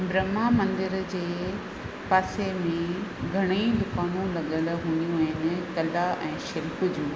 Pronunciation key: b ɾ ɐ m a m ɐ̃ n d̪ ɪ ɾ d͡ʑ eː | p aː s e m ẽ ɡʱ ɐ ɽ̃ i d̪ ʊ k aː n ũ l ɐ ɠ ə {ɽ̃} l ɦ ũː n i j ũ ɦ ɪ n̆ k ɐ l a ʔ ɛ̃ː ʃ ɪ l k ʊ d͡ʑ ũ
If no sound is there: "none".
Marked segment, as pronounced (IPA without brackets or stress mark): none